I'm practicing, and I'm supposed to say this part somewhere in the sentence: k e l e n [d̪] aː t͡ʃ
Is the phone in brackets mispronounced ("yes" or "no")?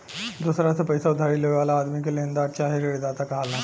no